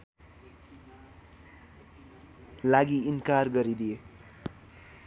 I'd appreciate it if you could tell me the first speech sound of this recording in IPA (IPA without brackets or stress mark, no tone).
l